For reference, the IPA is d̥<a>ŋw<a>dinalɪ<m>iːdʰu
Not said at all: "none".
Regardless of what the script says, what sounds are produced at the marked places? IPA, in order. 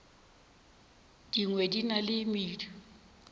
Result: i, e, m

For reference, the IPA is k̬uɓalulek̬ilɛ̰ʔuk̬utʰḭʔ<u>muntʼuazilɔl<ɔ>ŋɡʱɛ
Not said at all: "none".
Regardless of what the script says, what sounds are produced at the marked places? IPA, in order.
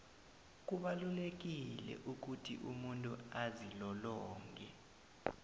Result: u, ɔː

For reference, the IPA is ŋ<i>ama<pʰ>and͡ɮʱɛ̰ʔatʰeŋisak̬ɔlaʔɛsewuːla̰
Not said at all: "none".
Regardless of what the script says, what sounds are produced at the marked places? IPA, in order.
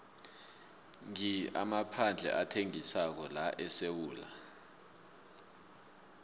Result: i, pʰ

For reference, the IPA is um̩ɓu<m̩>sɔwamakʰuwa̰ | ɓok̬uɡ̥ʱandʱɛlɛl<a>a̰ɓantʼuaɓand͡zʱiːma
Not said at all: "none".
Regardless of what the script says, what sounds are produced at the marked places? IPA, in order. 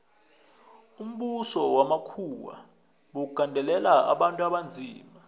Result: none, a

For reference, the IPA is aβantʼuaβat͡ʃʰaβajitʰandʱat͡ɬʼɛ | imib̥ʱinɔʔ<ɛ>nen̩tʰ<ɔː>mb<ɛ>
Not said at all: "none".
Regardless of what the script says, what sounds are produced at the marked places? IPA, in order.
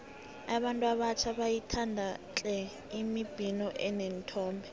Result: ɛ, ɔː, ɛ

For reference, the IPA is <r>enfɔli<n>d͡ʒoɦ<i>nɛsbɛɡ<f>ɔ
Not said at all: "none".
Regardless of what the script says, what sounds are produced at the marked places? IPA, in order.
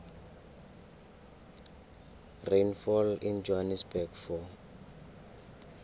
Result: r, n, a, f

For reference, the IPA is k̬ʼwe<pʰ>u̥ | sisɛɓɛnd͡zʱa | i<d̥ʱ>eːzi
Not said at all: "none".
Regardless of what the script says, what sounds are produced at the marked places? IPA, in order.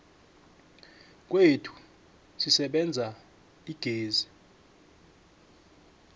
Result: tʰ, ɡ̥ʱ

